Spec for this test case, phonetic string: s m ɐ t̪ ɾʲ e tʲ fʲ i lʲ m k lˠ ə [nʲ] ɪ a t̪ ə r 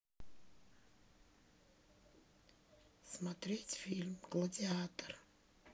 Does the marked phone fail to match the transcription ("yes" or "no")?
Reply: yes